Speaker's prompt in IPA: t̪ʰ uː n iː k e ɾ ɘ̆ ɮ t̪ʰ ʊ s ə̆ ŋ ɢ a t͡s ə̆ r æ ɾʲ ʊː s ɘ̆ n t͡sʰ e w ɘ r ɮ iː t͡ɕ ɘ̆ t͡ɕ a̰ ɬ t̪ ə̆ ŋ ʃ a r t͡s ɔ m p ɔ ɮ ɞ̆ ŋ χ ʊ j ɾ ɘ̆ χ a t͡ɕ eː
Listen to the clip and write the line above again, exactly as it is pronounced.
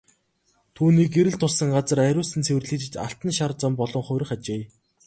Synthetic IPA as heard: t̪ʰ uː n iː k e ɾ ɘ̆ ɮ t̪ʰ ʊ s ə̆ ŋ ɢ a t͡s ə̆ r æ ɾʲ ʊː s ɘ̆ n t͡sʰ e w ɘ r ɮ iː t͡ɕ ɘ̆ t͡ɕ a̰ ɬ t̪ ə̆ n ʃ a r t͡s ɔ m p ɔ ɮ ɞ̆ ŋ χ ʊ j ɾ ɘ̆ χ a t͡ɕ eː